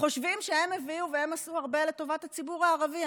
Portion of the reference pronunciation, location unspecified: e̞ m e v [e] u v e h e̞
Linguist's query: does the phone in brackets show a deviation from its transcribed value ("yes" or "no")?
yes